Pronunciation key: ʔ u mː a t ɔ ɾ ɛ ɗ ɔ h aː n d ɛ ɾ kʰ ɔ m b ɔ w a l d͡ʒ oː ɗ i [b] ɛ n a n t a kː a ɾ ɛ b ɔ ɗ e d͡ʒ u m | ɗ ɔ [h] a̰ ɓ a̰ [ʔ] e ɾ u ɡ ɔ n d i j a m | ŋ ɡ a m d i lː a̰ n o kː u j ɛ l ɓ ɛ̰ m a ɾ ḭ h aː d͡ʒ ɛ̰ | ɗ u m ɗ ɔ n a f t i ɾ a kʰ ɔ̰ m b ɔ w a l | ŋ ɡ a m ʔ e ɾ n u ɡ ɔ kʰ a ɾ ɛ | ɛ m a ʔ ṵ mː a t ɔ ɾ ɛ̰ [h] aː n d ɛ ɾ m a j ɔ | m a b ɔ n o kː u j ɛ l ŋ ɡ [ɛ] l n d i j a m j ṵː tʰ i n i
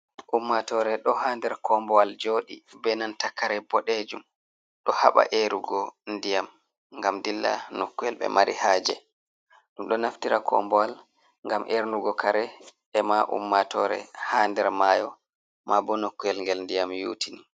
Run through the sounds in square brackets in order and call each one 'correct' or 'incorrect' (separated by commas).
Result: correct, correct, correct, correct, correct